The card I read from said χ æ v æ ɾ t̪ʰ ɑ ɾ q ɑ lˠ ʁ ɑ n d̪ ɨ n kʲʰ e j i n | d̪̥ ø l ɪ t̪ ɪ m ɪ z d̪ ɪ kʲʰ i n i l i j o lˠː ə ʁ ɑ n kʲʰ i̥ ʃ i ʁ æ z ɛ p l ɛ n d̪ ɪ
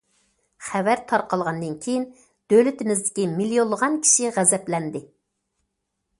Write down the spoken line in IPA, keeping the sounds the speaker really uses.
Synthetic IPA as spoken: χ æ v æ ɾ t̪ʰ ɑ ɾ q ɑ lˠ ʁ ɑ n d̪ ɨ n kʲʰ e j i n | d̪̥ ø l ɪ t̪ ɪ m ɪ z d̪ ɪ kʲ i m i l i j o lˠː ə ʁ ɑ n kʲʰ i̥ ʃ i ʁ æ z ɛ p l ɛ n d̪ ɪ

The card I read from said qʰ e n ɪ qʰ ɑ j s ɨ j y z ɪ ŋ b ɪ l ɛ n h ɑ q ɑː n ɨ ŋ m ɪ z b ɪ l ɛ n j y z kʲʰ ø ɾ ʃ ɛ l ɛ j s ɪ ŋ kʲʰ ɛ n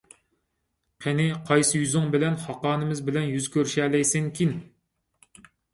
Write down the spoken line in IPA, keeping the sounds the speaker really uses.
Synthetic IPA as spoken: qʰ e n ɪ qʰ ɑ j s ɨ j y z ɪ ŋ b ɪ l ɛ n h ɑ q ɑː n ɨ m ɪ z b ɪ l ɛ n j y z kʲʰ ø ɾ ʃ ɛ l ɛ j s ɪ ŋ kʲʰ i n

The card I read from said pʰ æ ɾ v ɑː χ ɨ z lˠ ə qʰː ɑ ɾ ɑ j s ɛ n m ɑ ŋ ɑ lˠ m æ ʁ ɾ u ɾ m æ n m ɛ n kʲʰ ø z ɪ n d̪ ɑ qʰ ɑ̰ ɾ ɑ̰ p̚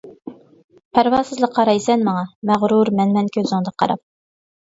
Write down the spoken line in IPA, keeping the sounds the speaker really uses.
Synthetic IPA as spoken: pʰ æ ɾ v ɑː s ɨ z lˠ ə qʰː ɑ ɾ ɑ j s ɛ n m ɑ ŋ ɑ m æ ʁ ɾ u ɾ m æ n m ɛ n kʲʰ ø z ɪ ŋ d̪ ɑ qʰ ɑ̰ ɾ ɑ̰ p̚

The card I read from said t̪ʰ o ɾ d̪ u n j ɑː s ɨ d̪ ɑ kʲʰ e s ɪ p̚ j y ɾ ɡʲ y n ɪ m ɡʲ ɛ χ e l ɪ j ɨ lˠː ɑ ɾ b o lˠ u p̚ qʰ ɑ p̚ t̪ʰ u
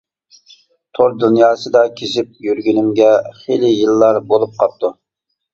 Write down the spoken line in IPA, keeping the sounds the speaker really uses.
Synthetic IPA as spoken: t̪ʰ o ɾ d̪ u n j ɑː s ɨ d̪ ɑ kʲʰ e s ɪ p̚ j y ɾ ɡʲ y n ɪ m ɡʲ ɛ χ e l ɪ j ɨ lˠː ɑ ɾ b o lˠ u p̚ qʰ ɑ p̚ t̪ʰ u

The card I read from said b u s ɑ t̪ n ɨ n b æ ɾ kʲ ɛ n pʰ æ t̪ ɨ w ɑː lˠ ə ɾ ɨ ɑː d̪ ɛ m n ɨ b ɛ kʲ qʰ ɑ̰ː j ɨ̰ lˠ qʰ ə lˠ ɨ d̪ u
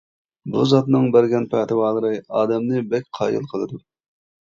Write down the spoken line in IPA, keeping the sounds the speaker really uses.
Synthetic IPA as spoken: b u z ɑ t̪ n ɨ ŋ b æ ɾ ɡʲ ɛ n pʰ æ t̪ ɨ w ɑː lˠ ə ɾ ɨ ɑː d̪ ɛ m n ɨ b ɛ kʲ qʰ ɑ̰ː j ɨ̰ lˠ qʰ ə lˠ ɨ d̪ u

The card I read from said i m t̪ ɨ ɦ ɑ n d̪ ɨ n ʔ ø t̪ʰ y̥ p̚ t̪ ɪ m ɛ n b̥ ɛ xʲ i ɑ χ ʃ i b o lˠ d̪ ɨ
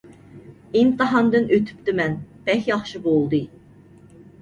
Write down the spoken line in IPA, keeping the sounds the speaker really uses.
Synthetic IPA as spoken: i n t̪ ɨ ɦ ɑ n d̪ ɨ n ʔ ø t̪ʰ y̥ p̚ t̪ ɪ m ɛ n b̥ ɛ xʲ j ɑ χ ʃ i b o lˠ d̪ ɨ

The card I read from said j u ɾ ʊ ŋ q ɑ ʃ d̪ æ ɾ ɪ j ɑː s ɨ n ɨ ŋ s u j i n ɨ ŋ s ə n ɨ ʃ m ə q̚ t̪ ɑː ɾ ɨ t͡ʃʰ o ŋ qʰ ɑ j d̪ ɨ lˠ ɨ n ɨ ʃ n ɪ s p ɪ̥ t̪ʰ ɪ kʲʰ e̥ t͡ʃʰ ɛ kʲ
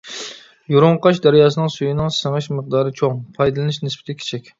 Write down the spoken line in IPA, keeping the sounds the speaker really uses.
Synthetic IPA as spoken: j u ɾ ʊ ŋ q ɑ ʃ d̪ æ ɾ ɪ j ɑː s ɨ n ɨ ŋ s u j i n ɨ ŋ s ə ŋ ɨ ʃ m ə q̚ d̪ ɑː ɾ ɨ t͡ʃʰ o ŋ pʰ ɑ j d̪ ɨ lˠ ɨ n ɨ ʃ n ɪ s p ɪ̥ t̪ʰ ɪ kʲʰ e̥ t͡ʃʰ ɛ kʲ

